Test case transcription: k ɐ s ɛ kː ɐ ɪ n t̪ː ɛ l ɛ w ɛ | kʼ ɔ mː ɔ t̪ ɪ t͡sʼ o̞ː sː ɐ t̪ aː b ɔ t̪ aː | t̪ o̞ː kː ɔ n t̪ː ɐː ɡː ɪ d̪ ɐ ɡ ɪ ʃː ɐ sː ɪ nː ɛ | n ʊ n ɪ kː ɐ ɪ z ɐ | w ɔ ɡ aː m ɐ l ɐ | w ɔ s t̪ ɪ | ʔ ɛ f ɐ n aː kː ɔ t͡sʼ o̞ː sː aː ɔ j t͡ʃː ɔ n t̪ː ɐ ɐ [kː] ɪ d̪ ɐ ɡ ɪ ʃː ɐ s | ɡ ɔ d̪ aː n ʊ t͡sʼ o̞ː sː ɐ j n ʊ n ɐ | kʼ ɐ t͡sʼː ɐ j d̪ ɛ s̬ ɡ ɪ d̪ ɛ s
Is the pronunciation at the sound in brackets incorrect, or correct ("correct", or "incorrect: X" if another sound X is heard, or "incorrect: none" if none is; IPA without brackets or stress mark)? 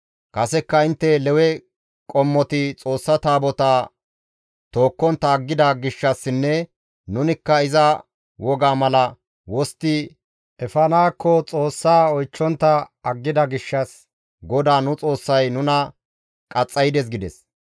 incorrect: ɡː